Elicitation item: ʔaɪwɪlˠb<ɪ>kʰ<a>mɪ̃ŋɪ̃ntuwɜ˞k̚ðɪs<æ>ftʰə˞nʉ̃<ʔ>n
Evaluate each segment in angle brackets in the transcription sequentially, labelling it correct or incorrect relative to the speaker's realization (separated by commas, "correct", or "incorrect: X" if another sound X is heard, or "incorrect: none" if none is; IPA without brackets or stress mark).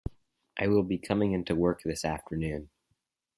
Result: incorrect: i, incorrect: ʌ, correct, incorrect: none